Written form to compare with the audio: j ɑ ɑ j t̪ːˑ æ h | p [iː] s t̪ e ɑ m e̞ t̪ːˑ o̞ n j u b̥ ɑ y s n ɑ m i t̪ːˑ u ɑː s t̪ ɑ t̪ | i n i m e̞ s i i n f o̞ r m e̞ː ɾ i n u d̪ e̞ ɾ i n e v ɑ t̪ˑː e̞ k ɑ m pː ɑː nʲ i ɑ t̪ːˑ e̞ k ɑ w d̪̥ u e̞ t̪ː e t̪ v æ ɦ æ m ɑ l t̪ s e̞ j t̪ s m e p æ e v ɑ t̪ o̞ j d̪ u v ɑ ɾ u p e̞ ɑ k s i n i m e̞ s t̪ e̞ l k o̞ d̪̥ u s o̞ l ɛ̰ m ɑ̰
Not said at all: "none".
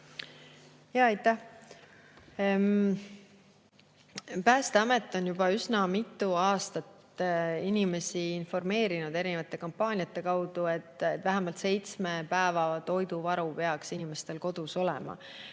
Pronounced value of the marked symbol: æː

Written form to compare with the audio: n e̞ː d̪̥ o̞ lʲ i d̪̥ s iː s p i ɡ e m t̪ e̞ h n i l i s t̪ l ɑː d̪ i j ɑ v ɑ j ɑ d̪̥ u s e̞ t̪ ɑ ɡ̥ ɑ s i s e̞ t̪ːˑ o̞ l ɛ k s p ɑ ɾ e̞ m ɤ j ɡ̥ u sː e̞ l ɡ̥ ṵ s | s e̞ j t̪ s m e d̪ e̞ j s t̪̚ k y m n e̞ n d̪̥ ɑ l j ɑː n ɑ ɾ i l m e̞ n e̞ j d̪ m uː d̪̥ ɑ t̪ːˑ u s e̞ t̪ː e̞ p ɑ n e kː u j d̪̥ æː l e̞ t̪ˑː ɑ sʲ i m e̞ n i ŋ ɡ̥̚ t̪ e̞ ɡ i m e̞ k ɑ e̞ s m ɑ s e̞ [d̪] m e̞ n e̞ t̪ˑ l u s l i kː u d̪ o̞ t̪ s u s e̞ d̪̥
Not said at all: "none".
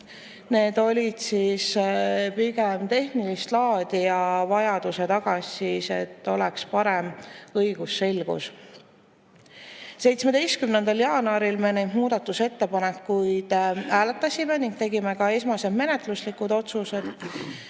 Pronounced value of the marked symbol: d̪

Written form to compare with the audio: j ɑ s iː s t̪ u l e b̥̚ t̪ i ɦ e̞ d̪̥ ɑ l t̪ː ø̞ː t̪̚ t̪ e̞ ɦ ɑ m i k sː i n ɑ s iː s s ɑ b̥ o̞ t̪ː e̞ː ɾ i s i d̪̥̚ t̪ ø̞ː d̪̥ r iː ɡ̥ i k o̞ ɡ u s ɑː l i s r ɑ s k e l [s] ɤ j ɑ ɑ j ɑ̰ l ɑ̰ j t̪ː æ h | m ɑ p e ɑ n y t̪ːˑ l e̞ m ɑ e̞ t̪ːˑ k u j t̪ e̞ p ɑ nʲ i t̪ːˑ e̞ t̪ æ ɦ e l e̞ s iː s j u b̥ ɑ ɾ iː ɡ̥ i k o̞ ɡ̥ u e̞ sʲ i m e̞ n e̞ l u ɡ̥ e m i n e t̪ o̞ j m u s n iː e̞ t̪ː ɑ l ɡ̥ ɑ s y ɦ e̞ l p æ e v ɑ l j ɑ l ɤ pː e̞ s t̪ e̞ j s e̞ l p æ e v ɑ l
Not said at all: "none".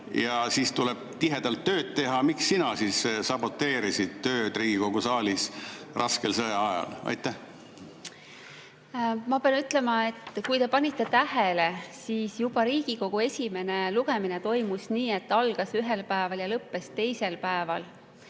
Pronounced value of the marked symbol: s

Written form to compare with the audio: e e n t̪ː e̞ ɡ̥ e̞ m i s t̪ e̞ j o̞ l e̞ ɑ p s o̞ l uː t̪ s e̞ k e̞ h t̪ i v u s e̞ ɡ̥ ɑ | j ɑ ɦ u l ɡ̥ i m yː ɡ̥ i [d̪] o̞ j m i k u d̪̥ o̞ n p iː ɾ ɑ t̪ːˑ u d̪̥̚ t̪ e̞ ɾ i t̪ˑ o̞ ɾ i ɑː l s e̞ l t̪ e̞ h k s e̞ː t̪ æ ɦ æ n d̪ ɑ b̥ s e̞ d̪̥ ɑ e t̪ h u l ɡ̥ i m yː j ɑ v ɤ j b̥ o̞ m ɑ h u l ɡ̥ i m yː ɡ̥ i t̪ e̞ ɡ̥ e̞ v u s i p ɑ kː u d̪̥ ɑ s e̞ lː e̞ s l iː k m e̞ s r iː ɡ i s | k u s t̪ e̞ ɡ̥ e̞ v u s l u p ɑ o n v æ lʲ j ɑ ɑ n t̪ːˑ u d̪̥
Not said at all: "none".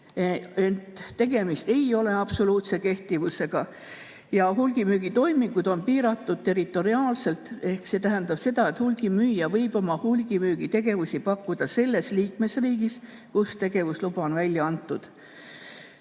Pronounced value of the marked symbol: t̪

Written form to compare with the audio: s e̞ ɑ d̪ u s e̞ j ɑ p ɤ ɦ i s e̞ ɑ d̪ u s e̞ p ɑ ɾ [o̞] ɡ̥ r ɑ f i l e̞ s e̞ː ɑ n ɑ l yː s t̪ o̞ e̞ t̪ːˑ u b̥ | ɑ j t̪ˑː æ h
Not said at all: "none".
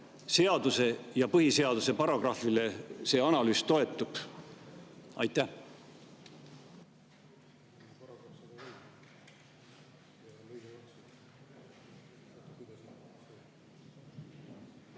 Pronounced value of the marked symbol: o̞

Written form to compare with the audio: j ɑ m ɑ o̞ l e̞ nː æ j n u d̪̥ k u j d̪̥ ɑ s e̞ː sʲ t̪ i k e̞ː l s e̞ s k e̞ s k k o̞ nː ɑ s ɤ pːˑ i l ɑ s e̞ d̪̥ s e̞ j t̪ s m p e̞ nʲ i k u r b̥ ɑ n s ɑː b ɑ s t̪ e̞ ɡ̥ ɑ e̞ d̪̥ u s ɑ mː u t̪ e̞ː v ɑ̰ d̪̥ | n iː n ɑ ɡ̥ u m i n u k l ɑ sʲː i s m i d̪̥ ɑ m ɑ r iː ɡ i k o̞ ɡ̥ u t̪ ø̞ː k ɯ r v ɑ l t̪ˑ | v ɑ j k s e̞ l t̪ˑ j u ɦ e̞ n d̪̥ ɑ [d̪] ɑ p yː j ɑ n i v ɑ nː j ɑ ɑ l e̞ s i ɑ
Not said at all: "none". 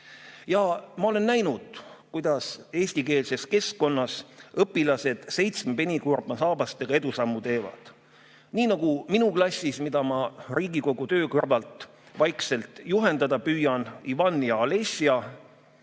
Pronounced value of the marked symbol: d̪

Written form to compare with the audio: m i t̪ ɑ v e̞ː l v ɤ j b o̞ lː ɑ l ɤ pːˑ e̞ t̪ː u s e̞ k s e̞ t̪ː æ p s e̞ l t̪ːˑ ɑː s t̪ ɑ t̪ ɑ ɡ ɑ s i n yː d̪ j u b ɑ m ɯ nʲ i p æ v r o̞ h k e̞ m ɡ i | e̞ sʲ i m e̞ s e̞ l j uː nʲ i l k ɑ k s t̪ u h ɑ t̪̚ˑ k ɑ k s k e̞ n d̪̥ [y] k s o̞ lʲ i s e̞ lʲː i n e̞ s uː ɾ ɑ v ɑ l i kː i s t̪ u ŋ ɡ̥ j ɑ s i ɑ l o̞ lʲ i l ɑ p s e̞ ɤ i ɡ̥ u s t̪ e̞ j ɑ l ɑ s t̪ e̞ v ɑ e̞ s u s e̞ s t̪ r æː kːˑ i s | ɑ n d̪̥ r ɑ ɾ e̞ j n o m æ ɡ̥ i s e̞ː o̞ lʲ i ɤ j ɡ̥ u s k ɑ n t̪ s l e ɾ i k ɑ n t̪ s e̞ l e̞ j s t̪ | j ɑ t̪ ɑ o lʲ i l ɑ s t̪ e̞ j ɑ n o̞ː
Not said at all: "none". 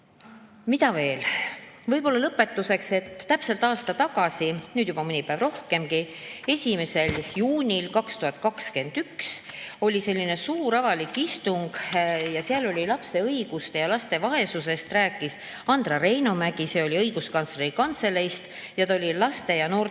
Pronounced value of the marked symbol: y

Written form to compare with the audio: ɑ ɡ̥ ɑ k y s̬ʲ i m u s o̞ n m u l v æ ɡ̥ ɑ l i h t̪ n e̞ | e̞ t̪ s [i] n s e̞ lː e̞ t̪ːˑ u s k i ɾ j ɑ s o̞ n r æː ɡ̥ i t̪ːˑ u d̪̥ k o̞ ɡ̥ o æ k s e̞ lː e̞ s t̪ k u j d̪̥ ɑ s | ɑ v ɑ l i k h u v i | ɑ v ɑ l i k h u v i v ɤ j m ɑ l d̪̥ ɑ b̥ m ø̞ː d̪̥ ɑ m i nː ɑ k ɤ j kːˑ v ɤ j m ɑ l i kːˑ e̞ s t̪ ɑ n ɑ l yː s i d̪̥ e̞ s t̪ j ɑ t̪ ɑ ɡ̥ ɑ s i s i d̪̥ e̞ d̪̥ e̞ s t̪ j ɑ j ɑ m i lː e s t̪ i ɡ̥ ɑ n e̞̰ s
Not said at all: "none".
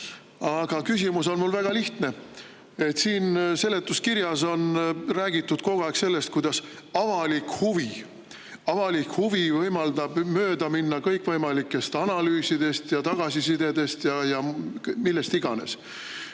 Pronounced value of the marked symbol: iː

